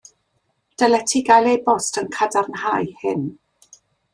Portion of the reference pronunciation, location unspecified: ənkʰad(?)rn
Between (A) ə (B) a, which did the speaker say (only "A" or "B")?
B